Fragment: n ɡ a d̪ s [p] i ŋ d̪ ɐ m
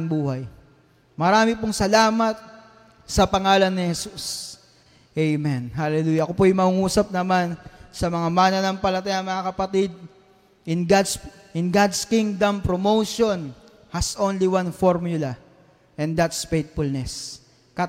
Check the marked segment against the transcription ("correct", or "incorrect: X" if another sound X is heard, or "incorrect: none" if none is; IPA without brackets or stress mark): incorrect: k